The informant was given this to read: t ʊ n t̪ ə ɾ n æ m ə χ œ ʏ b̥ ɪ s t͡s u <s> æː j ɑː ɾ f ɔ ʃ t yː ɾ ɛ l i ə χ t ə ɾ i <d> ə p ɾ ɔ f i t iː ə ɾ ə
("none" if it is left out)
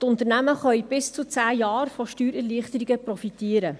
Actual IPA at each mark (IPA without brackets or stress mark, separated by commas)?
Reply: t͡s, ɡ